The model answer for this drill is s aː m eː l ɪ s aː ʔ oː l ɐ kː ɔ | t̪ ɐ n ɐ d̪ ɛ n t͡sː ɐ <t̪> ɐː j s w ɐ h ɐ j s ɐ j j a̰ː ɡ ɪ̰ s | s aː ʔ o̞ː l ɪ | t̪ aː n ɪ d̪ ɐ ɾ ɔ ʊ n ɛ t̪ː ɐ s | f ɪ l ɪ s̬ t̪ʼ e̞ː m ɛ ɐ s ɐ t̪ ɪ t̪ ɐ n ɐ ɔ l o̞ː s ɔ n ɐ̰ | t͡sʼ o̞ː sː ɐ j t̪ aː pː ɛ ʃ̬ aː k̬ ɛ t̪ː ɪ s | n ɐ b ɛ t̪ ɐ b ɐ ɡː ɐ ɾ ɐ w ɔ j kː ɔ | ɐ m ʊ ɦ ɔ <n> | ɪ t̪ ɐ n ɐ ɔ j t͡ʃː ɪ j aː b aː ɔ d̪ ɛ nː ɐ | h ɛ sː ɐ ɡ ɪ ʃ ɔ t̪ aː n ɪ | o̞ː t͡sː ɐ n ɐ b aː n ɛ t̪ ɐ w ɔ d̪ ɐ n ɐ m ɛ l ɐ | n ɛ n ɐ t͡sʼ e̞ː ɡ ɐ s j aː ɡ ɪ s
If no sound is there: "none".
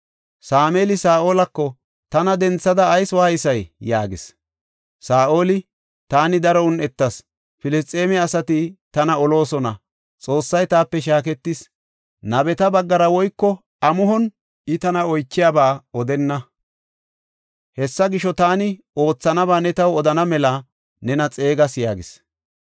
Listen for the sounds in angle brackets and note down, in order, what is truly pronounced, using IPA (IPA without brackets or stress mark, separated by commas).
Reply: d̪, n